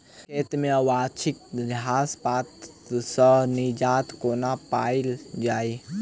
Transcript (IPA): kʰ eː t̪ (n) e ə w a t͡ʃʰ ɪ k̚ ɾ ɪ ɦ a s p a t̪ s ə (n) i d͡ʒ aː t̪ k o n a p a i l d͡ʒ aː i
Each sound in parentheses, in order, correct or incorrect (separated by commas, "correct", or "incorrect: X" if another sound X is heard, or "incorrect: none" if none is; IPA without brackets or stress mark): incorrect: m, correct